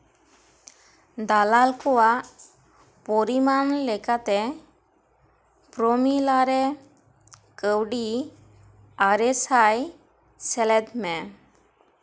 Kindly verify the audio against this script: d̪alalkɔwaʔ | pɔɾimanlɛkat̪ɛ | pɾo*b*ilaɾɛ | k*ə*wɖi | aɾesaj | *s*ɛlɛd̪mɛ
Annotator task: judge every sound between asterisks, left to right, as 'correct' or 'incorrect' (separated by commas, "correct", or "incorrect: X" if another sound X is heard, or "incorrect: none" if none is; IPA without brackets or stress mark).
incorrect: m, correct, correct